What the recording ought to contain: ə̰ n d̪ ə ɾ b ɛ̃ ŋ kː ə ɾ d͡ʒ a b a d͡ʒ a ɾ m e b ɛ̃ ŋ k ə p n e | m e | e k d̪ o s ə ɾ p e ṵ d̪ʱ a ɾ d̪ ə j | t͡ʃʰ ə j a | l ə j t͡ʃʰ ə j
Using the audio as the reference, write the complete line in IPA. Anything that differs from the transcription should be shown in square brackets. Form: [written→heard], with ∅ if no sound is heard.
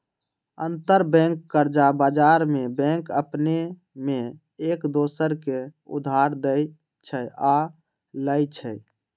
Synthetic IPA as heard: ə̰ n [d̪→t̪] ə ɾ b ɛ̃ ŋ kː ə ɾ d͡ʒ a b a d͡ʒ a ɾ m e b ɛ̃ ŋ k ə p n e | m e | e k d̪ o s ə ɾ [p→k] e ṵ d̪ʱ a ɾ d̪ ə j | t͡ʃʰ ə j a | l ə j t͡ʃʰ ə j